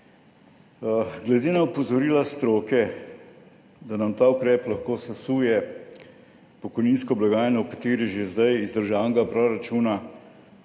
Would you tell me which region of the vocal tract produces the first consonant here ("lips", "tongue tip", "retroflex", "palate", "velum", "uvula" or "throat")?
velum